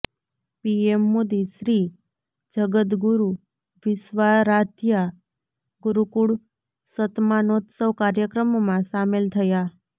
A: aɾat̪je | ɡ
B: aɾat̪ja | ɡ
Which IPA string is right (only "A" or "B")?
B